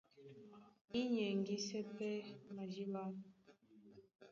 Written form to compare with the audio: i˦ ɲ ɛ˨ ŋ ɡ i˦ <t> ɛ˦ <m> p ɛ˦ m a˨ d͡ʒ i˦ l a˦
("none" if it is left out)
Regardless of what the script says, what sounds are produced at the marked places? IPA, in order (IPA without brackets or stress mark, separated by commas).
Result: s, none